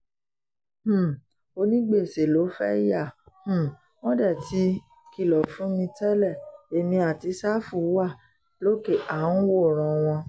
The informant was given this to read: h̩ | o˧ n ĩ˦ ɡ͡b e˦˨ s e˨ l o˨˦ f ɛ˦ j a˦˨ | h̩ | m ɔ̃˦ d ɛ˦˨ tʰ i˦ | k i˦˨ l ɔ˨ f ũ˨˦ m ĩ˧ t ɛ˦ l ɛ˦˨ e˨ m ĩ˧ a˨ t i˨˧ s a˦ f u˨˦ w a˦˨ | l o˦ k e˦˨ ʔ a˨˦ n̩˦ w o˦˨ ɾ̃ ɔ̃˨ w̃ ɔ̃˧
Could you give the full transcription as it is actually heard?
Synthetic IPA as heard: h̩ | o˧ n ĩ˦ ɡ͡b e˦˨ s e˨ l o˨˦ f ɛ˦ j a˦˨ | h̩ | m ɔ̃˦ d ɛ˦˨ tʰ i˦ | k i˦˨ l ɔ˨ f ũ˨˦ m ĩ˧ t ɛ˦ l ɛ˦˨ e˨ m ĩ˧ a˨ t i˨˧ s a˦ f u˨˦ w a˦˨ | l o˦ k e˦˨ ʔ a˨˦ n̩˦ w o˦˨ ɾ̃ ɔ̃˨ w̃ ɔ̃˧